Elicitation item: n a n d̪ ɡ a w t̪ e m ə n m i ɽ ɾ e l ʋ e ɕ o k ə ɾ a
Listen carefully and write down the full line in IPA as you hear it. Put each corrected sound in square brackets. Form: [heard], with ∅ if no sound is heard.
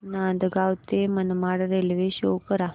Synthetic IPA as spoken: n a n d̪ ɡ a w t̪ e m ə n m [a] ɽ ɾ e l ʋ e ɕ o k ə ɾ a